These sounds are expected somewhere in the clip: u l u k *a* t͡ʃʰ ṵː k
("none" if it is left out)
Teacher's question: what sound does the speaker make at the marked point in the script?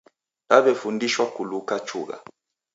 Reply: a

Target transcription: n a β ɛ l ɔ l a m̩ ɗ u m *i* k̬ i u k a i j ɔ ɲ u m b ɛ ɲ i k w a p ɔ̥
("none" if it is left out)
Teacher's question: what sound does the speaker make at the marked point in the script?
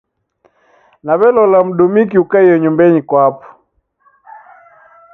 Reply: i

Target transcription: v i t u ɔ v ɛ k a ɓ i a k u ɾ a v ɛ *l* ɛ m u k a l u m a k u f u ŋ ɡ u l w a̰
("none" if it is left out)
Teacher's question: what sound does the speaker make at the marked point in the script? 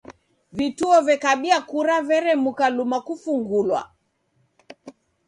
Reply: ɾ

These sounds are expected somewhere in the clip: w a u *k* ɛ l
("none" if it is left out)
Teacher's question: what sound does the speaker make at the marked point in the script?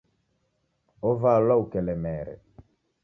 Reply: k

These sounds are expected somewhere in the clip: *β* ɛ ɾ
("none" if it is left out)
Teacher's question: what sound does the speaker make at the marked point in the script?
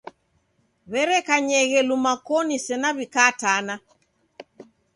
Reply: β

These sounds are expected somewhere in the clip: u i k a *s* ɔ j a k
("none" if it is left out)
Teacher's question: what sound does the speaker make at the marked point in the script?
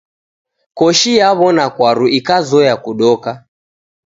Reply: z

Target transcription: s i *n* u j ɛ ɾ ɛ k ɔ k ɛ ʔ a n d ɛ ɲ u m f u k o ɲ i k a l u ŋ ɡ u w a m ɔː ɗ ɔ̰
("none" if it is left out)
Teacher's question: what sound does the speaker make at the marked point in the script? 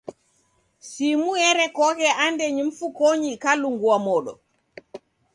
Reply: m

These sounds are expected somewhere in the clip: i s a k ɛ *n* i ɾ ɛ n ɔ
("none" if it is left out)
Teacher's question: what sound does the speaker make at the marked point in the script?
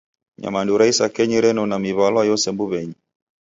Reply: ɲ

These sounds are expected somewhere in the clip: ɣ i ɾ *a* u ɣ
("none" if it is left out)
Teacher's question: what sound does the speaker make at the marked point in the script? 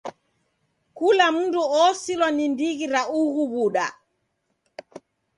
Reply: a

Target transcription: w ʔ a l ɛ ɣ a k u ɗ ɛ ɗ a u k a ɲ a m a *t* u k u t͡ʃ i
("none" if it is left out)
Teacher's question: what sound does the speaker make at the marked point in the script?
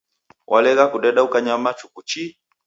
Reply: t͡ʃ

